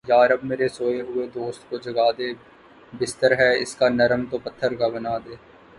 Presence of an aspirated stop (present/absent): present